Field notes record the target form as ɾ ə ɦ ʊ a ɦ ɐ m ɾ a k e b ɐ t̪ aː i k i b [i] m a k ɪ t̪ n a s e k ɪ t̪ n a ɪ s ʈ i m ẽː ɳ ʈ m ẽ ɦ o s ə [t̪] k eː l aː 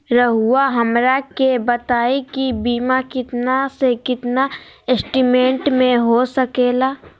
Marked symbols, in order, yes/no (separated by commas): no, no